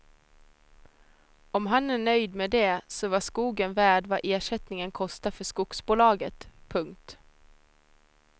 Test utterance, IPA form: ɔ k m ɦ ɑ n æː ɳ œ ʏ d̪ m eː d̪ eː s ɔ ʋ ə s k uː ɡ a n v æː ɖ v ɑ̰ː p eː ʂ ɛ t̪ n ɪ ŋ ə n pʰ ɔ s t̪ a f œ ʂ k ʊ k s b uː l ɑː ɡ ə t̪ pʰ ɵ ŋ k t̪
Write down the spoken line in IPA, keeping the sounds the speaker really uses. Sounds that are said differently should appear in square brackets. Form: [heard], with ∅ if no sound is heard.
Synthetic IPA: ɔ [∅] m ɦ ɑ n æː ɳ œ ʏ d̪ m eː d̪ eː s ɔ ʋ [ɑ] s k uː ɡ [ə] n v æː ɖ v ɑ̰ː [ʔ] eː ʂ ɛ t̪ n ɪ ŋ ə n [kʰ] ɔ s t̪ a f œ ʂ k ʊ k s b uː l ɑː ɡ ə t̪ pʰ ɵ ŋ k t̪